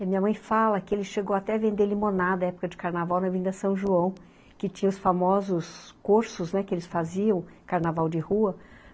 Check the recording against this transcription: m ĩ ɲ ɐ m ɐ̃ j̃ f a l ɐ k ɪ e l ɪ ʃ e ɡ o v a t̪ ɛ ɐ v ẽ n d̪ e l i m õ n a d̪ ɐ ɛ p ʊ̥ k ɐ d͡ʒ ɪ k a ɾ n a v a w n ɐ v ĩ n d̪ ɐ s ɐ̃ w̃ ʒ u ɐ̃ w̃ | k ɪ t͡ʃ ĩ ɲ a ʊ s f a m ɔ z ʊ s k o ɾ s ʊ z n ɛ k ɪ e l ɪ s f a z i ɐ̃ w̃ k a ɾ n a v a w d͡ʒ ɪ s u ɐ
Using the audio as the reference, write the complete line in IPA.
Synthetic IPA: m ĩ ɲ ɐ m ɐ̃ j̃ f a l ɐ k ɪ e l ɪ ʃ e ɡ o w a t̪ ɛ ɐ v ẽ n d̪ e l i m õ n a d̪ ɐ ɛ p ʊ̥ k ɐ d͡ʒ ɪ k a ɾ n a v a w n ɐ v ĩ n d̪ ɐ s ɐ̃ w̃ ʒ u ɐ̃ w̃ | k ɪ t͡ʃ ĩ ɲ ɐ ʊ s f a m ɔ z ʊ s k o ɾ s ʊ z n ɛ k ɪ e l ɪ s f a z i ɐ̃ w̃ k a ɾ n a v a w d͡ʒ ɪ h u ɐ